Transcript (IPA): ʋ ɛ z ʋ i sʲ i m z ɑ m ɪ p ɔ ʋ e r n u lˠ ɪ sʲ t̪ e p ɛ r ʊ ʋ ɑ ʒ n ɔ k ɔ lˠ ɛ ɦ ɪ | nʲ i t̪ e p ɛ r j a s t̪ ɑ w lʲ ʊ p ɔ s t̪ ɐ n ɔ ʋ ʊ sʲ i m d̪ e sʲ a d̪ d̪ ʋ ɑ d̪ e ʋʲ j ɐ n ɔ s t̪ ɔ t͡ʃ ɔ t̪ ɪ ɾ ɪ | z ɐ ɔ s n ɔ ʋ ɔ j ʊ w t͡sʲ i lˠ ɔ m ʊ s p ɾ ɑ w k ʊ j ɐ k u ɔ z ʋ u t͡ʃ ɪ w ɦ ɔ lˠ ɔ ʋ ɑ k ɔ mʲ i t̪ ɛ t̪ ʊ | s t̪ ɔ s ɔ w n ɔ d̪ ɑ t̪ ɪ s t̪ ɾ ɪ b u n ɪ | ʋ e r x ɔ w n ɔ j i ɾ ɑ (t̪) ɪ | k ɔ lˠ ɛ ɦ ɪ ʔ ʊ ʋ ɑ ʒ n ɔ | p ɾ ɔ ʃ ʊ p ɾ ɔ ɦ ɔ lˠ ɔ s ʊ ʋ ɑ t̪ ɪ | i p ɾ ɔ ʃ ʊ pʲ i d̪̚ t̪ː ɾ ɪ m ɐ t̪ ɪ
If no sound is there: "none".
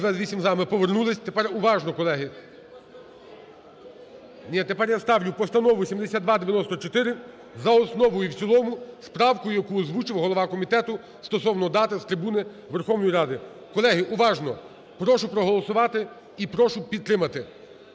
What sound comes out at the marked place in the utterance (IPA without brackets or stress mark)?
d̪